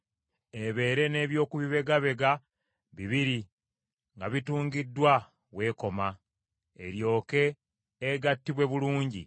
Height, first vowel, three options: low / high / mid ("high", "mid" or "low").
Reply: mid